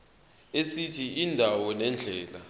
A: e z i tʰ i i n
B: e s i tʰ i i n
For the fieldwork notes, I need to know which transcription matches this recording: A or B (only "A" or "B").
B